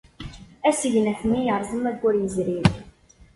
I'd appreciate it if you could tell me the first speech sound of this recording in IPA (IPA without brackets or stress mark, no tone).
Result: æ